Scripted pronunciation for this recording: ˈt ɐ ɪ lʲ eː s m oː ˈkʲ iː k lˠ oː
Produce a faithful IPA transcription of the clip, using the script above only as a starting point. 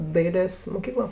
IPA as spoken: ˈd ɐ ɪ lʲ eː s m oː ˈkʲ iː k lˠ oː